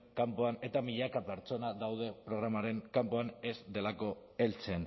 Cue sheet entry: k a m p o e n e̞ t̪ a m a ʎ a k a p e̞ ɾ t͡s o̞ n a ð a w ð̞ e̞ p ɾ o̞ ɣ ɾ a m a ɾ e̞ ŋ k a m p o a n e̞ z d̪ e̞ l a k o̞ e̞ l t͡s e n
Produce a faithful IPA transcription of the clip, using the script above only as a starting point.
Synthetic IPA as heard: k a m p o a n e̞ t̪ a m i ʎ a k a p e̞ ɾ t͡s o̞ n a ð a w ð̞ e̞ p ɾ o̞ ɣ ɾ a m a ɾ e̞ ŋ k a m p o a n e̞ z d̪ e̞ l a k o̞ e̞ l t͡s e n